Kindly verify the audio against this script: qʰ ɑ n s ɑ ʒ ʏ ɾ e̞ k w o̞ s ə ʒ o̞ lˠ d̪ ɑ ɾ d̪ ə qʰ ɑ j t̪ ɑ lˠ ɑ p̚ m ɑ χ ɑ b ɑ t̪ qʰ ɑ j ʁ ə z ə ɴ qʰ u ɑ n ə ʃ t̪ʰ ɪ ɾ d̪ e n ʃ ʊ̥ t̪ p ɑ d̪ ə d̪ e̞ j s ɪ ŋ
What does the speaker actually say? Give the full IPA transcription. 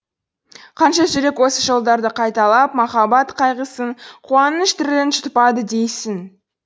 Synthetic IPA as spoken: qʰ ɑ n ʃ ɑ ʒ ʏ ɾ e̞ k w o̞ s ə ʒ o̞ lˠ d̪ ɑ ɾ d̪ ə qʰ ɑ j t̪ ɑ lˠ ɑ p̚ m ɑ χ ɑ b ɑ t̪ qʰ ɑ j ʁ ə s ə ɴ qʰ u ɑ n ə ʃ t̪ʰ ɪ ɾ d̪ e n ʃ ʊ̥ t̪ p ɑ d̪ ə d̪ e̞ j s ɪ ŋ